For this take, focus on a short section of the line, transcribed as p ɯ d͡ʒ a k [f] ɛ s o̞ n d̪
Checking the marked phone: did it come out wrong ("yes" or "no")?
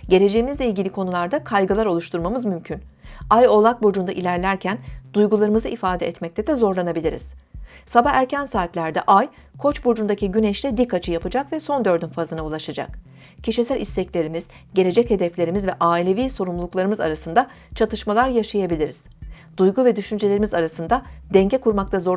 yes